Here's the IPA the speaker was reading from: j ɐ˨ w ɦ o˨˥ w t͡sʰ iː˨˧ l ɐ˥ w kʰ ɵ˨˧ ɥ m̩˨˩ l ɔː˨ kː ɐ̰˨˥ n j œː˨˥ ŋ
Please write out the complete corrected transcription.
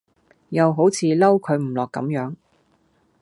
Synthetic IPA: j ɐ˨ w ɦ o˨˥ w t͡sʰ iː˨˧ l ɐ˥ w kʰ ɵ˨˧ ɥ m̩˨˩ l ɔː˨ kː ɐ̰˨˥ m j œː˨˥ ŋ